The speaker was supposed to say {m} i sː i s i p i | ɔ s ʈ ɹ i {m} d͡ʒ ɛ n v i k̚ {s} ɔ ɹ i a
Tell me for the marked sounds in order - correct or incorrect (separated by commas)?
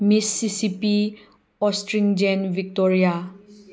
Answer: correct, incorrect, incorrect